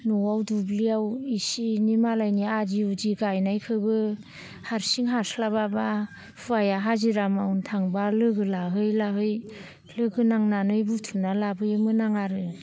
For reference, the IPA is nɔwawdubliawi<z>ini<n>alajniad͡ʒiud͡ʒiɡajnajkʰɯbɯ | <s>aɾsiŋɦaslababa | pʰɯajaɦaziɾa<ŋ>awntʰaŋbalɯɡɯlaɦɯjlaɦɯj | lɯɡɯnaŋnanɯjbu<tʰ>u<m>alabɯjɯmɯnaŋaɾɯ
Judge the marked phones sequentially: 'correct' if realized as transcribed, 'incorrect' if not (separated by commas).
incorrect, incorrect, incorrect, incorrect, correct, incorrect